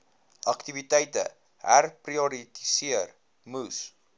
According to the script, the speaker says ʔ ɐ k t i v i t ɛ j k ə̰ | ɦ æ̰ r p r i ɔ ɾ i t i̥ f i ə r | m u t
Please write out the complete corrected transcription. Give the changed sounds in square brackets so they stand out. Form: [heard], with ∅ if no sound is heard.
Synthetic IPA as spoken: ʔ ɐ k t i v i t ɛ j [t] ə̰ | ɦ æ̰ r p r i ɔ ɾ i t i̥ [s] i ə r | m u [s]